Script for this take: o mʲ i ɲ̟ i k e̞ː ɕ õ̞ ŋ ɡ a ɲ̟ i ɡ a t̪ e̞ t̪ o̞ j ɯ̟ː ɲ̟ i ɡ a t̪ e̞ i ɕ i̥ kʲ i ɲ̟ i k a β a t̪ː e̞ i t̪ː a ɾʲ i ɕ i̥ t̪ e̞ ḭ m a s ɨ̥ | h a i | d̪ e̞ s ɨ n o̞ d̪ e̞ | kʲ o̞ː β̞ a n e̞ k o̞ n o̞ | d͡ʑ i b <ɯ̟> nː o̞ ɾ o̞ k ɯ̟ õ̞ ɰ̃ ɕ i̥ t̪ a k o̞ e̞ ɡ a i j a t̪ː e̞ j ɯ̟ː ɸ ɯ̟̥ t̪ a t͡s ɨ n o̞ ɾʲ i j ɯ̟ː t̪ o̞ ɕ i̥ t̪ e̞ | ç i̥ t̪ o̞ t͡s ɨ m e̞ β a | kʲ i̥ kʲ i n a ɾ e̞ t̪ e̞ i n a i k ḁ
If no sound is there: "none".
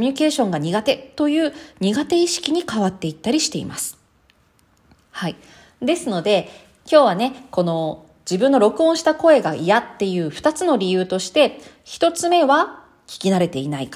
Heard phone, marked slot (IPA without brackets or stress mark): ɯ̟̃